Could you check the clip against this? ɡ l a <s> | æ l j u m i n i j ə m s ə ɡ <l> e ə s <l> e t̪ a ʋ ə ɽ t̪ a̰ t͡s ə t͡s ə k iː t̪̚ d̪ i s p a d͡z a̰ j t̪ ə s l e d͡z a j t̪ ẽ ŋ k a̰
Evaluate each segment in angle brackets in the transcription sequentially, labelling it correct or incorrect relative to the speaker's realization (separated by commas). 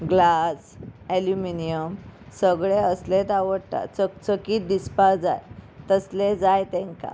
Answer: correct, incorrect, correct